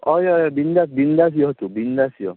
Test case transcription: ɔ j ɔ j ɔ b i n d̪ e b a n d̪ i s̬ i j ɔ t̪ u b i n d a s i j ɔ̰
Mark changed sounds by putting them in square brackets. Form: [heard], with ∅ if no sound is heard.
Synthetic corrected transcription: ɔ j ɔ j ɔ b i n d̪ [a] b [i] n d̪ [a] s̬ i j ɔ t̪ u b i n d a s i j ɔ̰